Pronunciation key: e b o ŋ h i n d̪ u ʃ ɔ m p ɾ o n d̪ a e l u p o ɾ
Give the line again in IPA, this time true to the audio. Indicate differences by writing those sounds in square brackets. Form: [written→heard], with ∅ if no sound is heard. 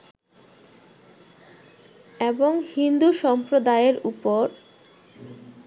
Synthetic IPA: e b o ŋ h i n d̪ u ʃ ɔ m p ɾ o [n→∅] d̪ a e [l→ɾ] u p o ɾ